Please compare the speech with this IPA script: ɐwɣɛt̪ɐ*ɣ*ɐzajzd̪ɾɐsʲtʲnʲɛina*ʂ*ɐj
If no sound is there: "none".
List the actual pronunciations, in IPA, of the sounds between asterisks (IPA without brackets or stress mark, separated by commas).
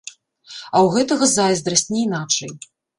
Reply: ɣ, t͡ʂ